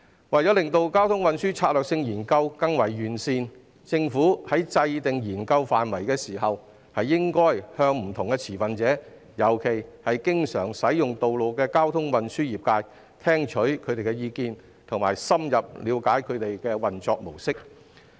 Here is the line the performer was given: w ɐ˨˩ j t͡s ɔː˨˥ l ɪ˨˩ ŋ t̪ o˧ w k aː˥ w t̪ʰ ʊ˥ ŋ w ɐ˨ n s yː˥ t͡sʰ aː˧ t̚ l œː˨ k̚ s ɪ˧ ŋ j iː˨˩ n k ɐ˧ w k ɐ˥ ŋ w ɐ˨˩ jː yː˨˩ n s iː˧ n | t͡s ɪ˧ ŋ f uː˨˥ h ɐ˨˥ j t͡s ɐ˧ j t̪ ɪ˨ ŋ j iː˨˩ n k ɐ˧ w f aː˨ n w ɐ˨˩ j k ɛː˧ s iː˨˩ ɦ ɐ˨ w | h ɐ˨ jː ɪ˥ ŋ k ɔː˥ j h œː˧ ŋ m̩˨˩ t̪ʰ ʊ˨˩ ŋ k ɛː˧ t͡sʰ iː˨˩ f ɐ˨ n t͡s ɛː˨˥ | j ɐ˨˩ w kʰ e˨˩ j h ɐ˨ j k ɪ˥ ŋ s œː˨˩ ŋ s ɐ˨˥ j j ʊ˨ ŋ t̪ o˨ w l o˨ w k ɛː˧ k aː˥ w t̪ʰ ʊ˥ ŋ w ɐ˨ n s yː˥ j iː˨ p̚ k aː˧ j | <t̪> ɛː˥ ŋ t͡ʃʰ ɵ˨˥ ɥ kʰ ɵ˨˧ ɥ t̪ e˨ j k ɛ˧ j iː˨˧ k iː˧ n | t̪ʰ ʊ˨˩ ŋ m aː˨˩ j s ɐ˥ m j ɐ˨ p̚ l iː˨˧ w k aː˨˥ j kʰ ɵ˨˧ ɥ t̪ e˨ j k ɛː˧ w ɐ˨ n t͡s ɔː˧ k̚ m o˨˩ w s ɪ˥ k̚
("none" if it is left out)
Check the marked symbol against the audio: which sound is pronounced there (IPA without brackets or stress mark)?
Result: t̪ʰ